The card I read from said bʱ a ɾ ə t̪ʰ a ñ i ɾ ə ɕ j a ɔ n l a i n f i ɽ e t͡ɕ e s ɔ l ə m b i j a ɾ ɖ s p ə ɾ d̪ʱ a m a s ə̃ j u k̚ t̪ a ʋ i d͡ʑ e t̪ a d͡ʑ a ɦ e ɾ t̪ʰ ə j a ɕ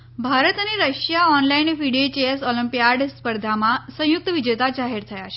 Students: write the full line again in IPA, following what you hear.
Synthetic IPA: bʱ a ɾ ə t̪ a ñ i ɾ ə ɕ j a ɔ n l a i n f i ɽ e t͡ɕ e s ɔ l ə m p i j a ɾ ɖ s p ə ɾ d̪ʱ a m a s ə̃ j u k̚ t̪ ə ʋ i d͡ʑ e t̪ a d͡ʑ a ɦ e ɾ t̪ʰ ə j a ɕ

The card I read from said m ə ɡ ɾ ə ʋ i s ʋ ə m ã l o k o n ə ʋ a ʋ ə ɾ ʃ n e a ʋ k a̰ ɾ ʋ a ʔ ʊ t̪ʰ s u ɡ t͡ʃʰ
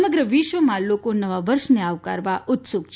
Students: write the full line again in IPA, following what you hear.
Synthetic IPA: m ə ɡ ɾ ə ʋ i ʃ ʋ ə m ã l o k o n ə ʋ a ʋ ə ɾ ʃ n e a ʋ k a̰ ɾ ʋ a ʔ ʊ t̪ s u ɡ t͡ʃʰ

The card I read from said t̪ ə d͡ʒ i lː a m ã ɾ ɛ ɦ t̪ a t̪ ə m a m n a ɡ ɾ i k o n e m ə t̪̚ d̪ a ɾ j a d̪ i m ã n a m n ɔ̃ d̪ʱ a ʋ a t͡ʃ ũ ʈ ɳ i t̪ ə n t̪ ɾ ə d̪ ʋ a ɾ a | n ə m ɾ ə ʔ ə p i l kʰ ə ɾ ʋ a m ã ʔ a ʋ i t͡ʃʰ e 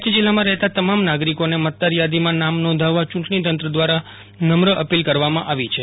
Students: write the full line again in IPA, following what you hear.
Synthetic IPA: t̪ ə d͡ʒ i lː a m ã ɾ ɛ ɦ t̪ a t̪ ə m a m n a ɡ ɾ i k o n e m ə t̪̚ d̪ a ɾ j a d̪ i m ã n a m n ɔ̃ d̪ʱ a ʋ a t͡ʃ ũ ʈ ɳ i t̪ ə n t̪ ɾ ə d̪ ʋ a ɾ a | n ə m ɾ ə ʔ ə p i l k ə ɾ ʋ a m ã ʔ a ʋ i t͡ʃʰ e

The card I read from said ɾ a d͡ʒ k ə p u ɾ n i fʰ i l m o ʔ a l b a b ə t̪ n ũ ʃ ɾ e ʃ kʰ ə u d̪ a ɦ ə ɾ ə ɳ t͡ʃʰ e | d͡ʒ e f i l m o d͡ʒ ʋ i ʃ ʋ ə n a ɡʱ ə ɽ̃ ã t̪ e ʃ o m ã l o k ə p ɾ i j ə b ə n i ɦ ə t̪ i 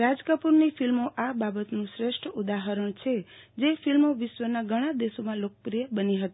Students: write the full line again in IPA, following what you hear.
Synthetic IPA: ɾ a d͡ʒ k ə p u ɾ n i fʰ i l m o ʔ a b a b ə t̪ n ũ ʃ ɾ e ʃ ʈʰ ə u d̪ a ɦ ə ɾ ə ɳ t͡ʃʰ e | d͡ʒ e f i l m o ʋ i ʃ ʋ ə n a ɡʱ ə ɽ̃ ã d̪ e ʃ o m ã l o k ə p ɾ i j ə b ə n i ɦ ə t̪ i

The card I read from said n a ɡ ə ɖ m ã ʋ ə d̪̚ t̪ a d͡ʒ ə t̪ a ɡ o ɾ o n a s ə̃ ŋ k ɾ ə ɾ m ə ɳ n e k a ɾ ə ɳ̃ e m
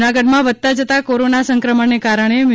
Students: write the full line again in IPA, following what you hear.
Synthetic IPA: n a ɡ ə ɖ m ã ʋ ə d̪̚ t̪ a d͡ʒ ə t̪ a k o ɾ o n a s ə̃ ŋ k ɾ ə m ə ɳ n e k a ɾ ə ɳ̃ e m

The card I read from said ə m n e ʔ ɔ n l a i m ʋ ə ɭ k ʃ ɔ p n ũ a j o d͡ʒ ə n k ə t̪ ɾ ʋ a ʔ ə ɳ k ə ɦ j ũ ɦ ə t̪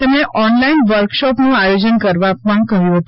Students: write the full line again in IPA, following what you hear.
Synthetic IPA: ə m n e ʔ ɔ n l a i n ʋ ə ɾ k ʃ ɔ p n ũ a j o d͡ʒ ə n k ə ɾ ʋ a p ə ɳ k ə ɦ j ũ ɦ ə t̪

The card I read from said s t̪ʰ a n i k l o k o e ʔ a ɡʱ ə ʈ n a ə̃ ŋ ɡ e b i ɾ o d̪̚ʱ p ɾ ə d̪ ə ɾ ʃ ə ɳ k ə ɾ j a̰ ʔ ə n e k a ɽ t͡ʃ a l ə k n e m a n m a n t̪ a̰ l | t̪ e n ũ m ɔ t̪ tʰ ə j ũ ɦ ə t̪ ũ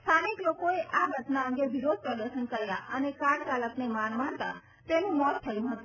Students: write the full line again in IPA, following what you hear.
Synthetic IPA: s t̪ʰ a n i k l o k o e ʔ a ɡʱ ə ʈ n a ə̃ ŋ ɡ e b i ɾ o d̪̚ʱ p ɾ ə d̪ ə ɾ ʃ ə n k ə ɾ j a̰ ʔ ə n e k a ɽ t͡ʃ a l ə k n e m a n m a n t̪ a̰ | t̪ e n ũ m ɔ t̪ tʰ ə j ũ ɦ ə t̪ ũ

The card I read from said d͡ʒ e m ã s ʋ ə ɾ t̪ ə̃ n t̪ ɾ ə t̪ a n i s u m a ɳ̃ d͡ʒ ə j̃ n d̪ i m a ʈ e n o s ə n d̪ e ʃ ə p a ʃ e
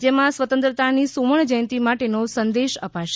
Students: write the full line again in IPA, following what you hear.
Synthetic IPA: d͡ʒ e m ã s ʋ ə t̪ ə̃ n t̪ ɾ ə t̪ a n i s u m ə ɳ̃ d͡ʒ ə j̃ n t̪ i m a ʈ e n o s ə n d̪ e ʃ ə p a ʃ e

